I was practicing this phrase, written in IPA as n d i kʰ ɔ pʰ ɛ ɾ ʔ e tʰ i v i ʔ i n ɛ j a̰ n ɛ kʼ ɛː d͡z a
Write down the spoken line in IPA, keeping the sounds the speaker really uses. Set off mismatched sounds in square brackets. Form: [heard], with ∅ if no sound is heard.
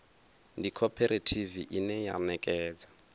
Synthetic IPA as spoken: n d i kʰ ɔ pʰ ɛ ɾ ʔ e tʰ i v i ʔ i n ɛ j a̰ n ɛ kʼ ɛː d͡z a